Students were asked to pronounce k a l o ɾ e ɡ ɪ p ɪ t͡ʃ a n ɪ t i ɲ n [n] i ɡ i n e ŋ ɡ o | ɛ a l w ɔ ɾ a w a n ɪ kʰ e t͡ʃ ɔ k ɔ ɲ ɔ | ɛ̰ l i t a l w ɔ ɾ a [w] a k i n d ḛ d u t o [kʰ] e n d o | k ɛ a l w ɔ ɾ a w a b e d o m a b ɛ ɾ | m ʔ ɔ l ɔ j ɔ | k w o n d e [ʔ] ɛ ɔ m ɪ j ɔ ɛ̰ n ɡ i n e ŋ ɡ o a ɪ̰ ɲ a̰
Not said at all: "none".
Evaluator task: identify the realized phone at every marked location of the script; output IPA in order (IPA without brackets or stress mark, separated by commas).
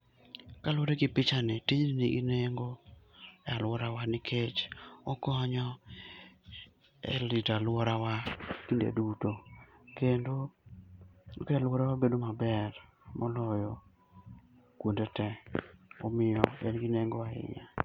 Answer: n, w, k, t